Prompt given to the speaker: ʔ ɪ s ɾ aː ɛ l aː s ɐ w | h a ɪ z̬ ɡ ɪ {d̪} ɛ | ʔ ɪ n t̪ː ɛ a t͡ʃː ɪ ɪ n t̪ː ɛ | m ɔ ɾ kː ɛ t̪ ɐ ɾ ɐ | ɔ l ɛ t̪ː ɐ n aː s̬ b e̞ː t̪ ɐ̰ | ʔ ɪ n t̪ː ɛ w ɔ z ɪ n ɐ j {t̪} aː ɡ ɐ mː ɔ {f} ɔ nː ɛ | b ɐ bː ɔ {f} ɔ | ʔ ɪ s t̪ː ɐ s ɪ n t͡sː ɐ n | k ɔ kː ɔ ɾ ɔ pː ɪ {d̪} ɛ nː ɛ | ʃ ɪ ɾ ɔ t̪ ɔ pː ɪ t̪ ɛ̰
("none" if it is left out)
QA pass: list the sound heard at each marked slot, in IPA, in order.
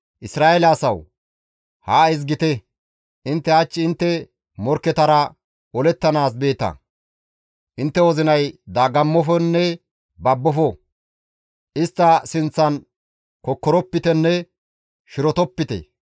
t̪, d̪, f, f, t̪

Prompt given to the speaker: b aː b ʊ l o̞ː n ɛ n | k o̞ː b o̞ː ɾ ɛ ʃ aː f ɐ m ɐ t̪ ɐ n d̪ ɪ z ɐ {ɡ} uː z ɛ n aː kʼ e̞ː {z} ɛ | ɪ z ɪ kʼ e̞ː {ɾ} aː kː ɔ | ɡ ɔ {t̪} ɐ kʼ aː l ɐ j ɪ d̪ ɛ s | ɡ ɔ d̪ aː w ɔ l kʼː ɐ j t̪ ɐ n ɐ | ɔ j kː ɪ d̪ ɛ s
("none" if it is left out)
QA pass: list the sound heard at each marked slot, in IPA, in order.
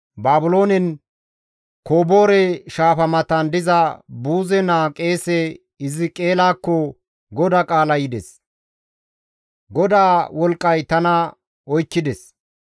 b, s, l, d̪

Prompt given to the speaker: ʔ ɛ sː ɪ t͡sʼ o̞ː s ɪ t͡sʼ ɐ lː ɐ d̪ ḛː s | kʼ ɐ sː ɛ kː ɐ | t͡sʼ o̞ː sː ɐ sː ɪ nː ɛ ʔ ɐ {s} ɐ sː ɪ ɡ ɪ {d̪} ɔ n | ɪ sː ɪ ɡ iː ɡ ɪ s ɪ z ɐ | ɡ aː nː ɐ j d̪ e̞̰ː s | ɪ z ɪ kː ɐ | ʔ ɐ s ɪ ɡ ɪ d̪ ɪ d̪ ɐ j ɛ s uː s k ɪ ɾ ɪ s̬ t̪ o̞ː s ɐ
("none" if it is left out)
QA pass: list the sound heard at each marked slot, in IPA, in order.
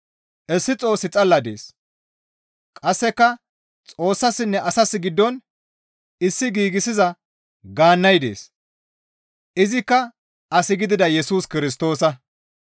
s, d̪ː

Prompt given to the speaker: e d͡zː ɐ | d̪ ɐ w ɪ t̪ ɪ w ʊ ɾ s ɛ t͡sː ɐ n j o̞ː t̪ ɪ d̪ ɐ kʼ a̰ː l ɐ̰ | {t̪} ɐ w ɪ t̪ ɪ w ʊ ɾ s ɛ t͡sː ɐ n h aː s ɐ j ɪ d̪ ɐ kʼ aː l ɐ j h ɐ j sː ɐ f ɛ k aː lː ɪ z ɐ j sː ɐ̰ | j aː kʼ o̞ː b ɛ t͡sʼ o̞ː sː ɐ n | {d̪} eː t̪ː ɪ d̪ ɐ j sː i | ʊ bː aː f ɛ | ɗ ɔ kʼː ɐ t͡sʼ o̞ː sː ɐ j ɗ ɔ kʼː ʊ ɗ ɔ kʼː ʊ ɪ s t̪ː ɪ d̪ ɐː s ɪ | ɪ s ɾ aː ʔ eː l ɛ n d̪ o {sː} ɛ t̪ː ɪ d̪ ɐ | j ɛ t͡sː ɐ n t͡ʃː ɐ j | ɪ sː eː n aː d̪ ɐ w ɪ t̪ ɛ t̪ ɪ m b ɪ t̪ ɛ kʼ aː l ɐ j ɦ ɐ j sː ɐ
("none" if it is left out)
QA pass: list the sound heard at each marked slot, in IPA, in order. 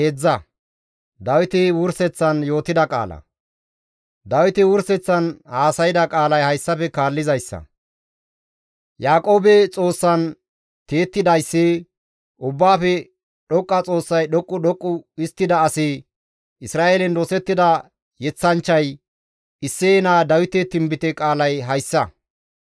d̪, t̪, s

